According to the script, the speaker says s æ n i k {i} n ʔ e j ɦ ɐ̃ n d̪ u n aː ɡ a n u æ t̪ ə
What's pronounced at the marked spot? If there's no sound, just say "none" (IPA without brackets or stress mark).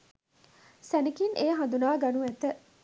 i